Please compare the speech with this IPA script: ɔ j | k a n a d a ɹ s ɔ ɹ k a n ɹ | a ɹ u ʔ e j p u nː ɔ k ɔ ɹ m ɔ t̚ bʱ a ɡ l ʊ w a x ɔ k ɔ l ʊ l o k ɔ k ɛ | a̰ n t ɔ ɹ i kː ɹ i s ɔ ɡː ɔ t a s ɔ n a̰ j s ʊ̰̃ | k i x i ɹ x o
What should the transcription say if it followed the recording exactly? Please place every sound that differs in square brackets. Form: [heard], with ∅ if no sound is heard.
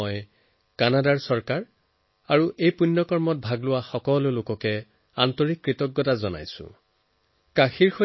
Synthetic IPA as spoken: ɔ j | k a n a d a ɹ s ɔ ɹ k a [∅] ɹ | a ɹ u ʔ e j p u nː ɔ k ɔ ɹ m ɔ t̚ bʱ a ɡ l ʊ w a x ɔ k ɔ l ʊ l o k ɔ k ɛ | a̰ n t ɔ ɹ i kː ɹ i [t] ɔ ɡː ɔ t a [z] ɔ n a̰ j s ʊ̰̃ | k [a] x i ɹ x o